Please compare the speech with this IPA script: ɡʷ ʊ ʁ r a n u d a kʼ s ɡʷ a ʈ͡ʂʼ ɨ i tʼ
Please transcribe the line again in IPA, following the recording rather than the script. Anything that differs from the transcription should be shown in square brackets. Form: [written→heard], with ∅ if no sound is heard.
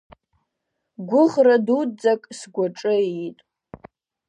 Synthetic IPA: ɡʷ ʊ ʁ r a [n→d] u [d→d͡z] a kʼ s ɡʷ a ʈ͡ʂʼ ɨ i tʼ